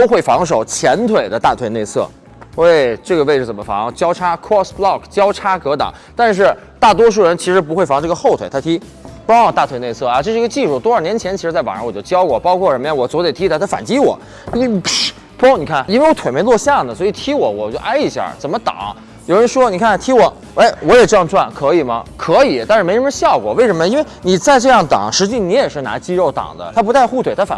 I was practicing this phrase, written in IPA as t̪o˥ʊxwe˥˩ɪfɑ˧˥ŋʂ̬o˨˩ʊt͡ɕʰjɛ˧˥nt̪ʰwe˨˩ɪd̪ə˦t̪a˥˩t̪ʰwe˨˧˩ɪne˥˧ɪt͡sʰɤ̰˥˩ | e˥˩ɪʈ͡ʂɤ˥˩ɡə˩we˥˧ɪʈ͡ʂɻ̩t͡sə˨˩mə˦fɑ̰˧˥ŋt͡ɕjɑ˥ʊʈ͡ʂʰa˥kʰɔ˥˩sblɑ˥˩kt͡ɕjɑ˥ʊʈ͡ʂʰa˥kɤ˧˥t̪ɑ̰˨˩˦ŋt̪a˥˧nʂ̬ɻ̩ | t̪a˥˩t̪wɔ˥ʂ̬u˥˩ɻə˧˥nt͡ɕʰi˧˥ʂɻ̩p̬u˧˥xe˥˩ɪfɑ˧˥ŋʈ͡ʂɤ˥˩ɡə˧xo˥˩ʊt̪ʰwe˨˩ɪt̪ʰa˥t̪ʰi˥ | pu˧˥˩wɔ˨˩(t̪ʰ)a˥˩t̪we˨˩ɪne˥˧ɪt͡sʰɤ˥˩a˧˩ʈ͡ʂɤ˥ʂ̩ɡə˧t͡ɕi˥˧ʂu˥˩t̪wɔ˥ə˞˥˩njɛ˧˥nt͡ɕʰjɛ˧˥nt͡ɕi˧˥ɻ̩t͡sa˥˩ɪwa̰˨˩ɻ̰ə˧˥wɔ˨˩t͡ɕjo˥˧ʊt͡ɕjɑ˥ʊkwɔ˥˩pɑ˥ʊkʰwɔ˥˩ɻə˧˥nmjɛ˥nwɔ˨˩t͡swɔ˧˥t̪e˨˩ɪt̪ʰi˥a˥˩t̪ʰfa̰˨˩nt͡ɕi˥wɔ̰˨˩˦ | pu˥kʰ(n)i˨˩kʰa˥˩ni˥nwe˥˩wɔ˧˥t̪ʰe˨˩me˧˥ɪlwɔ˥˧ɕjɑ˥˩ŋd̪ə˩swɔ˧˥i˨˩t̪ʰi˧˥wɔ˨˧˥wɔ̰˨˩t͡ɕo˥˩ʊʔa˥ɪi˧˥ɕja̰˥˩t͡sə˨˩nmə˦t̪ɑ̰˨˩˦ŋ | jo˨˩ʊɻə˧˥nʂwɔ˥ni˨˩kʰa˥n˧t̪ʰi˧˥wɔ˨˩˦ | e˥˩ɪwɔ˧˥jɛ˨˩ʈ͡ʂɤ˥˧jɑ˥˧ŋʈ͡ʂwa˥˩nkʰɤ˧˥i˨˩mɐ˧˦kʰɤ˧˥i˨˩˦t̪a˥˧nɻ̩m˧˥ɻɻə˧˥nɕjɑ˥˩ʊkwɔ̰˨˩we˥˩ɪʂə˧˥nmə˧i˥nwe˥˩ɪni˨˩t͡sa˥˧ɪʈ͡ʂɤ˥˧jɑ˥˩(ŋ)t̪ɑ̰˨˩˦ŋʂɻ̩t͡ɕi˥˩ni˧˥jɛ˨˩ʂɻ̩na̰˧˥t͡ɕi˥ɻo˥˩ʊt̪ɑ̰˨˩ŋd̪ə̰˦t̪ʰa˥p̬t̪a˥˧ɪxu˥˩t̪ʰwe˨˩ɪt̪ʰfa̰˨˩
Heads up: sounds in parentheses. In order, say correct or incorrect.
incorrect: t̪, correct, correct

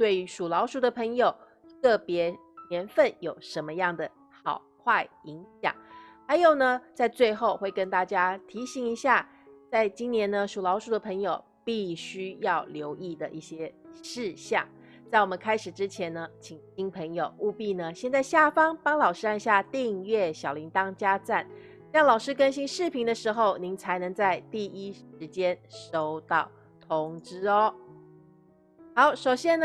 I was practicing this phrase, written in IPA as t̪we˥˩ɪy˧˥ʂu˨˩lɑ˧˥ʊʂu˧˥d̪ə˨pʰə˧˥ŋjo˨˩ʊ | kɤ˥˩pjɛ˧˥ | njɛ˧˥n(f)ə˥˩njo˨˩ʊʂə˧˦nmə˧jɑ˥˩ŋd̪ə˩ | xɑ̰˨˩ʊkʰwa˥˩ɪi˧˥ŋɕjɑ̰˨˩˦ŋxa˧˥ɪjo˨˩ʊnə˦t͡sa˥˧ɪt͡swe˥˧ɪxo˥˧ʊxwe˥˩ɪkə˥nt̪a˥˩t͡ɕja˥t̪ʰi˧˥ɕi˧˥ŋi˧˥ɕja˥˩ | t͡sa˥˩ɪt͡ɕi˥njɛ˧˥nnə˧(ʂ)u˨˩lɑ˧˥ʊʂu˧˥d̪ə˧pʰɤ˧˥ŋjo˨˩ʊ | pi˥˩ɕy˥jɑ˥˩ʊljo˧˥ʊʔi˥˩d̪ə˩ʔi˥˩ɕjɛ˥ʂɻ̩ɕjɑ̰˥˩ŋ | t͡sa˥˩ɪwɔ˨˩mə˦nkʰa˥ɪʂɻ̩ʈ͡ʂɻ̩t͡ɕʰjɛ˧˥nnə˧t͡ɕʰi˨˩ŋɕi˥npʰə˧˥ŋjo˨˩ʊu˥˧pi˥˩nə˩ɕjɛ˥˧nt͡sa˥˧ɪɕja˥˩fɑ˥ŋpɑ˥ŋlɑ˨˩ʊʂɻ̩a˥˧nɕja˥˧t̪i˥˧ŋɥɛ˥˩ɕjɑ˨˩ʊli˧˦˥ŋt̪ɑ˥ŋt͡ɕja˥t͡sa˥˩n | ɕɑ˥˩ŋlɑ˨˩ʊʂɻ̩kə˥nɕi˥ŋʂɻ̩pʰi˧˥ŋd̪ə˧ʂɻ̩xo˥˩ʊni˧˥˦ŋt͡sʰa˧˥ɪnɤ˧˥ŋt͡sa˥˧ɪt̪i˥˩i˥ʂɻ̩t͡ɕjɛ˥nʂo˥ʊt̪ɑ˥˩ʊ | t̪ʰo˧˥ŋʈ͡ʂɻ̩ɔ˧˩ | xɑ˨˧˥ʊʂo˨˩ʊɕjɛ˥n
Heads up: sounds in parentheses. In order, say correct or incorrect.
correct, correct

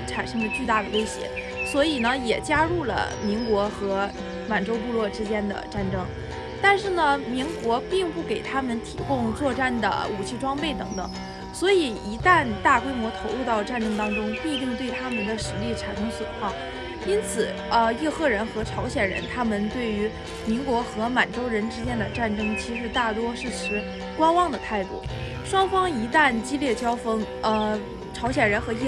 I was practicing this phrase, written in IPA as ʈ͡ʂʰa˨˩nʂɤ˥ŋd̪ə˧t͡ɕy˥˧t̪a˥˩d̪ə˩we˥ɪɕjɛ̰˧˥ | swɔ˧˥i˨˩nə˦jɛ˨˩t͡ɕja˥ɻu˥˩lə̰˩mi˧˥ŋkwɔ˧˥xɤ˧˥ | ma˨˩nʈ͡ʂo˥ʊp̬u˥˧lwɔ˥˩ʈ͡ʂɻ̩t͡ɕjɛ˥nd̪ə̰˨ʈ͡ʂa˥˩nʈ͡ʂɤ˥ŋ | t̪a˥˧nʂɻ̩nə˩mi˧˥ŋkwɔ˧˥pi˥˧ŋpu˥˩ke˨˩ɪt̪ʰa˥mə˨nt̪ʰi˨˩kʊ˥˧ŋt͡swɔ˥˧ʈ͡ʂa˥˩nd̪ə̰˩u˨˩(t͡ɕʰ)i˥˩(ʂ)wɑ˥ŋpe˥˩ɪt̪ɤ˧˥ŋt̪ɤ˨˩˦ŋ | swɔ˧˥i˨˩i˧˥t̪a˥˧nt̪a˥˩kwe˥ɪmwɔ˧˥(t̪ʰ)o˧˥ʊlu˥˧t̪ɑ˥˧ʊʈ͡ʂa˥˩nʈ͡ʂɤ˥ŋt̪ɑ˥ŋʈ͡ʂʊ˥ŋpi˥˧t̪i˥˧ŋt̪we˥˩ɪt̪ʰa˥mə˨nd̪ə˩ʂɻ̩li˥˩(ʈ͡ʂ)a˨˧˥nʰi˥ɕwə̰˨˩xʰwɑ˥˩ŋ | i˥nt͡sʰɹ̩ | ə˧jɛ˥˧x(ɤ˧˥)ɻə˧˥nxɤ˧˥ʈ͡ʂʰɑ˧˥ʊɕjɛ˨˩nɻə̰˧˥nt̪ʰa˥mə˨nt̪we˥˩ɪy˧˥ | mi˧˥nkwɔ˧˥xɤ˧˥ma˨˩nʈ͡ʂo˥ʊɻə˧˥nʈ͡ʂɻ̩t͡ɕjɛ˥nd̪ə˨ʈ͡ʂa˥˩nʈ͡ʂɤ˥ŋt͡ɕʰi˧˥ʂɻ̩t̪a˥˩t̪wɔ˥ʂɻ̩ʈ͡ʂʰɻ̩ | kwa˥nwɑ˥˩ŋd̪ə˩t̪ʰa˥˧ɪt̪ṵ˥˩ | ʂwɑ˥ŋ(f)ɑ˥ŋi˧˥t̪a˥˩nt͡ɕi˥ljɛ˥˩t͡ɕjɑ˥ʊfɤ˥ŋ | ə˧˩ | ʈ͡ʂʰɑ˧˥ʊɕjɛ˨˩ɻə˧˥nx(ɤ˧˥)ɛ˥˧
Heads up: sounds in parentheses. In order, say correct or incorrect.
correct, incorrect: ʈ͡ʂ, correct, incorrect: ʈ͡ʂʰ, incorrect: ɤ˥˩, correct, correct

